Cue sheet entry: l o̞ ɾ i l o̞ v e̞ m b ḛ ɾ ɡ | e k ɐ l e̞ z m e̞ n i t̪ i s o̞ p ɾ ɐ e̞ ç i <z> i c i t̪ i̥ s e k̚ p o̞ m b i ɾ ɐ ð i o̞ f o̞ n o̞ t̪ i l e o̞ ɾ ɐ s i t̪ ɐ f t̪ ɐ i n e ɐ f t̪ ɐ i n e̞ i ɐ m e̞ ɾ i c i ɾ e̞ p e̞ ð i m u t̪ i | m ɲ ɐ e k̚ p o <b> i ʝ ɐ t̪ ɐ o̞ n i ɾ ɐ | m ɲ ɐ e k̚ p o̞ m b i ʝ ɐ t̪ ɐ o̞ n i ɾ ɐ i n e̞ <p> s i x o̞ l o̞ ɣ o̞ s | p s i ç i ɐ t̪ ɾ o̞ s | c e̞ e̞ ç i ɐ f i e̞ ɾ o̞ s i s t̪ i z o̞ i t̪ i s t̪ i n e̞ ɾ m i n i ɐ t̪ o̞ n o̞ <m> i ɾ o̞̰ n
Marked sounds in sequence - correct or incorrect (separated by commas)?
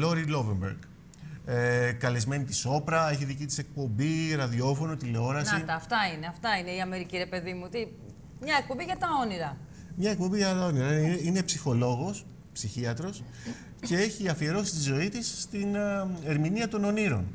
incorrect, correct, correct, incorrect